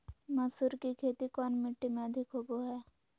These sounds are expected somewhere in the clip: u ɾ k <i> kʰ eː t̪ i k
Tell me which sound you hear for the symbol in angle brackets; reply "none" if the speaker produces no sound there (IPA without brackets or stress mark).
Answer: i